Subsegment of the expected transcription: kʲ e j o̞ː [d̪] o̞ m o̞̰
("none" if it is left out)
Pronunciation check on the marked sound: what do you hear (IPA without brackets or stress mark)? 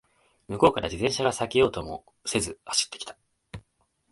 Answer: t̪